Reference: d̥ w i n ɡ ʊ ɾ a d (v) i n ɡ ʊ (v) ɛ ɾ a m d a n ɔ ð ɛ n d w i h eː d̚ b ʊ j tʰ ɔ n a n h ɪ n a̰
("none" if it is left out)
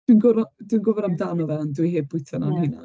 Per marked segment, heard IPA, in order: w, v

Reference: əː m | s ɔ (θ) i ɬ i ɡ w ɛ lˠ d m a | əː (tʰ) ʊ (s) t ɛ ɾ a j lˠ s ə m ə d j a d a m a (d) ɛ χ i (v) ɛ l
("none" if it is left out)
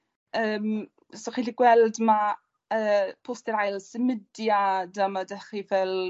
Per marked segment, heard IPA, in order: χ, pʰ, s, d, v

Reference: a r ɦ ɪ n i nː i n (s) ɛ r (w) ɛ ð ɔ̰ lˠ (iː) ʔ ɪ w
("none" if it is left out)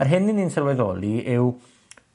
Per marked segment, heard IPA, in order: s, w, i

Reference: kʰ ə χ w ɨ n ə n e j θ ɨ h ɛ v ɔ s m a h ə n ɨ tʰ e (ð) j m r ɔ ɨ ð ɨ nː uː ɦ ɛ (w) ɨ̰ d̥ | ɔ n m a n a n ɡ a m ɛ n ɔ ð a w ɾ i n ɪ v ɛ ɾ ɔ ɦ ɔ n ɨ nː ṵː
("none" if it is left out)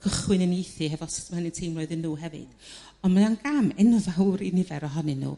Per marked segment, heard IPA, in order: none, v

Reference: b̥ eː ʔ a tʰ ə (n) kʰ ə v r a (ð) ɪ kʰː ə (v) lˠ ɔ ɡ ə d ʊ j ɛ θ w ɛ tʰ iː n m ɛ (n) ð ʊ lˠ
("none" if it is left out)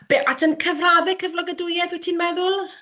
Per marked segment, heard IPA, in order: n, ð, v, none

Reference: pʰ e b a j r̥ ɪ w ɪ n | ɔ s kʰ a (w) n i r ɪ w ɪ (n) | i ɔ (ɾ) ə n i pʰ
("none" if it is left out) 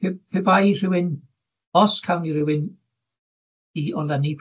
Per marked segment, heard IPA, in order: w, n, l

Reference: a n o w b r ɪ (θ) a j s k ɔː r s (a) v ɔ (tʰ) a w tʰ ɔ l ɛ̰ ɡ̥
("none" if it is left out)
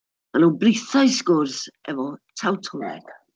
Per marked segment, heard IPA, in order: θ, ɛ, tʰ

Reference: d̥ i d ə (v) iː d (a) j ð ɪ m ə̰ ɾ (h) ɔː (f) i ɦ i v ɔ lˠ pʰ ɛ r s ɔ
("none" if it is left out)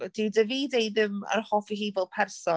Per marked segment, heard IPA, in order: v, e, h, f

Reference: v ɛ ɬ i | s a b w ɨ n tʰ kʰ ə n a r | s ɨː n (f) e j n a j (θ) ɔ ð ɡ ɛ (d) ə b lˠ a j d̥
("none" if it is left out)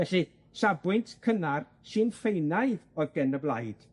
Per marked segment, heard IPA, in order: f, ð, n

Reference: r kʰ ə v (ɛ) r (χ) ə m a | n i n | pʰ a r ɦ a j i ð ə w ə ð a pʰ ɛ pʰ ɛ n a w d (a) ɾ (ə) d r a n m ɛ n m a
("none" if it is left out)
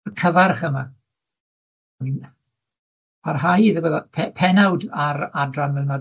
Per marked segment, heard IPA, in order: a, χ, a, a

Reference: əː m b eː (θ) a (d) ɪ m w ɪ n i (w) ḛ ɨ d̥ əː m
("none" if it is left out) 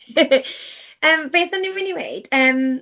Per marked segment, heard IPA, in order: θ, n, w

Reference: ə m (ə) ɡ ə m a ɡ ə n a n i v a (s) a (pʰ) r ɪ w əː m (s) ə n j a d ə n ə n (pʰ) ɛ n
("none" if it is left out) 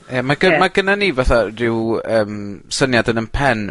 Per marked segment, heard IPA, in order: a, θ, none, s, pʰ

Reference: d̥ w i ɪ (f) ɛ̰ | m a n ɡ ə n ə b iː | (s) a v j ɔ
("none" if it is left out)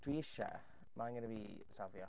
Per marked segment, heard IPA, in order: ʃ, s

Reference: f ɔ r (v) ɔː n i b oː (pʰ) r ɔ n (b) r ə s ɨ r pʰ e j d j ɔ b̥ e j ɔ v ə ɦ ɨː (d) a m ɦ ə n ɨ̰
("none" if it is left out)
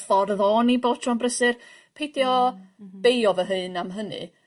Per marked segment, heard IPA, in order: ð, tʰ, b, n

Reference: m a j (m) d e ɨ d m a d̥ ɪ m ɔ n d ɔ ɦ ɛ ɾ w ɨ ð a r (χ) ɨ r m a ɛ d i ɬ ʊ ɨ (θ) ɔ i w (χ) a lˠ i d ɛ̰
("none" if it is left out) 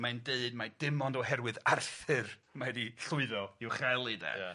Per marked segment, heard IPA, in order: n, θ, ð, χ

